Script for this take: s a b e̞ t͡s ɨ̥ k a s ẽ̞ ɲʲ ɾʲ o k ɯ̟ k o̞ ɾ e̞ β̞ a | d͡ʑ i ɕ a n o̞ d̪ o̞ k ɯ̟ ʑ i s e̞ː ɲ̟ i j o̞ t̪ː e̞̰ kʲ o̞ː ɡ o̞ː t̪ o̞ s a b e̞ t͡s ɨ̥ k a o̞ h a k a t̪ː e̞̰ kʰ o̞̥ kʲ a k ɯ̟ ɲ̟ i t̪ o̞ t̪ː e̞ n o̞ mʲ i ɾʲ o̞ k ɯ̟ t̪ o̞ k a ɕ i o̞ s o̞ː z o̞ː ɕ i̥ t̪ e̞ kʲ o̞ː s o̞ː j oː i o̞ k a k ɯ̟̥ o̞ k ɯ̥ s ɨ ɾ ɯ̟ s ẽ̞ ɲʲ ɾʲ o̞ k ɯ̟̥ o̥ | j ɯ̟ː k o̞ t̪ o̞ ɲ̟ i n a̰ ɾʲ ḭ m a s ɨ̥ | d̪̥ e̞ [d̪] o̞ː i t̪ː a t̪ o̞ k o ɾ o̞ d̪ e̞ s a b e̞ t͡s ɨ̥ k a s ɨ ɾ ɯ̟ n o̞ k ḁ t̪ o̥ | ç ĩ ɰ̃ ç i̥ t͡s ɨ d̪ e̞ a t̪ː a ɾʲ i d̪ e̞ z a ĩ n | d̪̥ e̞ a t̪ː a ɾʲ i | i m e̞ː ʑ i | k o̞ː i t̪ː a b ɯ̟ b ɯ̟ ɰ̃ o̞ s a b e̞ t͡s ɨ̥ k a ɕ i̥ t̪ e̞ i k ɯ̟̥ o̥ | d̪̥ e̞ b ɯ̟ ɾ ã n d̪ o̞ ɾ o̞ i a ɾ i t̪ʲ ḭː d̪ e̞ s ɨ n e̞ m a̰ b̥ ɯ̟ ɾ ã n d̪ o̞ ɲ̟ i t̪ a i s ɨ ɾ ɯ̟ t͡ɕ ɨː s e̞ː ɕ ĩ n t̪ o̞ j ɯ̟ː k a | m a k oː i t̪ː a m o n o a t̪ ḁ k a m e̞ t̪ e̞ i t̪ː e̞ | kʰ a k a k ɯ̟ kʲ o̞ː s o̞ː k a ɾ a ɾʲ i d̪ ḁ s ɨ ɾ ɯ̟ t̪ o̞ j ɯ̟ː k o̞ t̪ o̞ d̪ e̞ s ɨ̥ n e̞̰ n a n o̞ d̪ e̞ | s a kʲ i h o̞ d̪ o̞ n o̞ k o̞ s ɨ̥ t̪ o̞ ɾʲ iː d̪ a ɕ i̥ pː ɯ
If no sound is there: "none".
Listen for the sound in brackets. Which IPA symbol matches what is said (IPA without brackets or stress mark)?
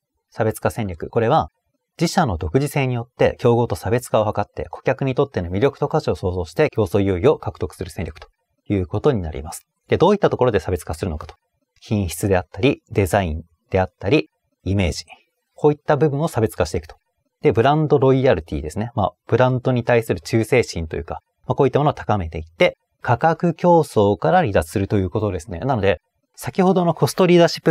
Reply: d̪